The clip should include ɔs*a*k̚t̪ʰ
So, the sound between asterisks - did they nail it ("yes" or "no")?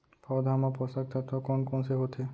yes